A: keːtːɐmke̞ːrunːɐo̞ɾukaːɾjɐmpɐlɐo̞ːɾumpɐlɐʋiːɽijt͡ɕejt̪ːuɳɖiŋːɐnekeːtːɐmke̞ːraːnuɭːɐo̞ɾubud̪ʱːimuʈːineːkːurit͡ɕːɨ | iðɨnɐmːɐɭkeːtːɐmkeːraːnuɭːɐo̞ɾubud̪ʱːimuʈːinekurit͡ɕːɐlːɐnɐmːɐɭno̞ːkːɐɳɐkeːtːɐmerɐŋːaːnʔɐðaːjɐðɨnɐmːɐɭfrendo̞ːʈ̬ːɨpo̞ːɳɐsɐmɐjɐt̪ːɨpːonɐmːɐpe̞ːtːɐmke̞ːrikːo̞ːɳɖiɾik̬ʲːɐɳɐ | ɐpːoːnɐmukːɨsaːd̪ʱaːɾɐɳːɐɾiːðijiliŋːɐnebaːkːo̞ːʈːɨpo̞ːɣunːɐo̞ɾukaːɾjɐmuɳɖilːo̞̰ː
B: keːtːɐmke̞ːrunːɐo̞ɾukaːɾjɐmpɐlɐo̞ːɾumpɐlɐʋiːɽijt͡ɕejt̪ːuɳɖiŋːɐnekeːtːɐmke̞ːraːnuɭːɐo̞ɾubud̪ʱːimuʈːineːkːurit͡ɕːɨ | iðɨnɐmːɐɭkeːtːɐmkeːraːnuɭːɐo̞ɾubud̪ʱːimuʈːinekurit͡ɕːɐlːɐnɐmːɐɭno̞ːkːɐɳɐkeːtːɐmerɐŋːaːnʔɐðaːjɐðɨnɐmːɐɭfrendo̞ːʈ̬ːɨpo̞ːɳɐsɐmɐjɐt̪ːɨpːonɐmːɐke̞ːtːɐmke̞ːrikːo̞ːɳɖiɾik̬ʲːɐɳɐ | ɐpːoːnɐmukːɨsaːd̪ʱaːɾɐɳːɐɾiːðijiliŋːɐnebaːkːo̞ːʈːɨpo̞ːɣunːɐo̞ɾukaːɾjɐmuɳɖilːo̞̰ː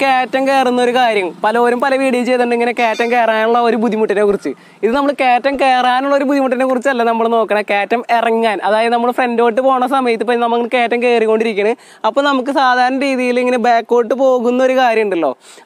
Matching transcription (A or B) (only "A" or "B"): B